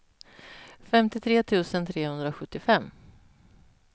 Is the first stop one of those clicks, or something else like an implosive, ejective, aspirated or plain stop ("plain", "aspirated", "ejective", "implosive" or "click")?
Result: plain